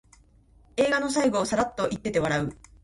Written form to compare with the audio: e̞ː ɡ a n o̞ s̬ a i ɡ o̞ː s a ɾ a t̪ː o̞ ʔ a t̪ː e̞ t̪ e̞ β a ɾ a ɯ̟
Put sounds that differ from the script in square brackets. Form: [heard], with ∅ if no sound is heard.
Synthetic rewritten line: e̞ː ɡ a n o̞ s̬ a i ɡ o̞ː s a ɾ a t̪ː o̞ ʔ [i] t̪ː e̞ t̪ e̞ β a ɾ a ɯ̟